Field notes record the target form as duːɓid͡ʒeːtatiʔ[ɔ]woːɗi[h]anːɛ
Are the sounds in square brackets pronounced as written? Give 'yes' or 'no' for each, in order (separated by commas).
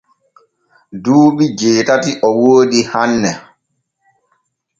yes, yes